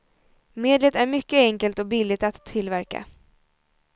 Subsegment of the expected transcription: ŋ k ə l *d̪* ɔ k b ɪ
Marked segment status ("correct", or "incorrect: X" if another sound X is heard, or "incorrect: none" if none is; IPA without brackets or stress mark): incorrect: t̪